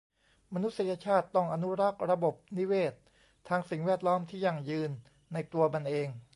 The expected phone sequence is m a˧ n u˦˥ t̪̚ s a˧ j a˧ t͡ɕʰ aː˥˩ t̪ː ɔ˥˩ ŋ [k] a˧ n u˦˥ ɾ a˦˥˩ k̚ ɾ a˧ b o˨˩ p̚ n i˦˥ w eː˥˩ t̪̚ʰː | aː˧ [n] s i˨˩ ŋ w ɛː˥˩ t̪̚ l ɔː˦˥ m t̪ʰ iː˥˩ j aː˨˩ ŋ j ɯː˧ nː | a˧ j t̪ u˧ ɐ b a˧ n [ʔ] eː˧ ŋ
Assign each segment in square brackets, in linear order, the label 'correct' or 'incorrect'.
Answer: incorrect: ʔ, incorrect: ŋ, correct

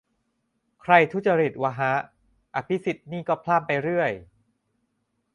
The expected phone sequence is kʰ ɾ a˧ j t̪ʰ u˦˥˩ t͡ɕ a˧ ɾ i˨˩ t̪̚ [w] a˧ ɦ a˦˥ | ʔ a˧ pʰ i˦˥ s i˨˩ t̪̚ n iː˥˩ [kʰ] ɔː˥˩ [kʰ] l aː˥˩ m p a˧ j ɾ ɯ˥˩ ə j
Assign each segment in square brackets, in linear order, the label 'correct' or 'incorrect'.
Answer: correct, incorrect: k, incorrect: pʰ

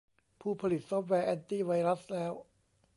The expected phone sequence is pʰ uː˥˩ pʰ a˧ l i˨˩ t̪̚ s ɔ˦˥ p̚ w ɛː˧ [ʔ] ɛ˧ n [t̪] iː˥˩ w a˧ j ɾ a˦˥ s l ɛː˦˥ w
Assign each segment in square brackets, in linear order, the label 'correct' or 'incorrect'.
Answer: correct, correct

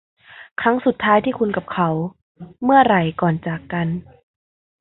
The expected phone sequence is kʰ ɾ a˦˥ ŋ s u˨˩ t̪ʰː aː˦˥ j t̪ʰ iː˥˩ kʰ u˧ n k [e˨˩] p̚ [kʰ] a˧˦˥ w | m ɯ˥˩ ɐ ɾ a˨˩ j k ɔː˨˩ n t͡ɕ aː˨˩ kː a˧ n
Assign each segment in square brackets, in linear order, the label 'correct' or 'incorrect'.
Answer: incorrect: a˨˩, correct

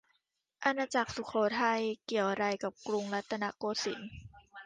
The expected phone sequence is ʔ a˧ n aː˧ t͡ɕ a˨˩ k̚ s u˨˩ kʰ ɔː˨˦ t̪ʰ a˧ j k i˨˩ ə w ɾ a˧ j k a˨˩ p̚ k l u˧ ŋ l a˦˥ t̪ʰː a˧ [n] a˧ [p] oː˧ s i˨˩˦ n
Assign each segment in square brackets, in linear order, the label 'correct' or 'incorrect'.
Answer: correct, incorrect: k

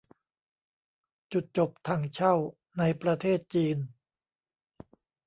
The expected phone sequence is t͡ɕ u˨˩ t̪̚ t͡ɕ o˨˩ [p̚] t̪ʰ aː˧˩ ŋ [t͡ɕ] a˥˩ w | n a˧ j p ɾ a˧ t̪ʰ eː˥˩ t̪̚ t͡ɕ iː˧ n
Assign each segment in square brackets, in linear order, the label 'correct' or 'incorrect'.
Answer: correct, incorrect: t͡ɕʰ

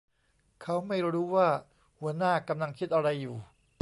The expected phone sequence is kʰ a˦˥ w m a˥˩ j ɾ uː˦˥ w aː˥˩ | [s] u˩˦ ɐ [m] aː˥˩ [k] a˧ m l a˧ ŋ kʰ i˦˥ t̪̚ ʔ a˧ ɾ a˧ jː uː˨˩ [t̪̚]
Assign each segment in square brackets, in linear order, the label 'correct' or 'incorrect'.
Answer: incorrect: h, incorrect: n, correct, incorrect: none

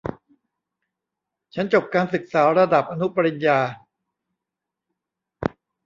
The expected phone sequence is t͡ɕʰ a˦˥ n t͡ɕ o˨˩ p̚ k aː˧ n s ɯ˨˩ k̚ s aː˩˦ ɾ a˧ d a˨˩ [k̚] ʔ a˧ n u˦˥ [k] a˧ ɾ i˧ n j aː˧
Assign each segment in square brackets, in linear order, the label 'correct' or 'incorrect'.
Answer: incorrect: p̚, incorrect: p

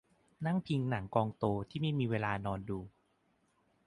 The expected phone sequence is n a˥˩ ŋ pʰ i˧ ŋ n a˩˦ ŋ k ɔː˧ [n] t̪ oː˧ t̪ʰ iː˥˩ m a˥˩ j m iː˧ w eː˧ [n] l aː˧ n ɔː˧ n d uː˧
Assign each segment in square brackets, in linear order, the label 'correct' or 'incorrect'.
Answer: incorrect: ŋ, incorrect: none

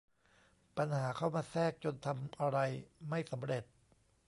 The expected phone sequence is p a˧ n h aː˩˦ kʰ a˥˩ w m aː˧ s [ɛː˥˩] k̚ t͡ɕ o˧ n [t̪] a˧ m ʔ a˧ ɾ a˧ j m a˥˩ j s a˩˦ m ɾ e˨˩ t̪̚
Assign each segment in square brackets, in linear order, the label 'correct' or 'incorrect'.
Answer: correct, incorrect: t̪ʰ

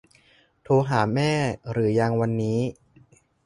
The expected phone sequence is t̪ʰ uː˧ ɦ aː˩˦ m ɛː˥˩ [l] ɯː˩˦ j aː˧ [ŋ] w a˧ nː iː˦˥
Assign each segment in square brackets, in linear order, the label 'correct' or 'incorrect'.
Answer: incorrect: ɾ, correct

